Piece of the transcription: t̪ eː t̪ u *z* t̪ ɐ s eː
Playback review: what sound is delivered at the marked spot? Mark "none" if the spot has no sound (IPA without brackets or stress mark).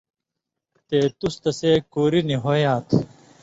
s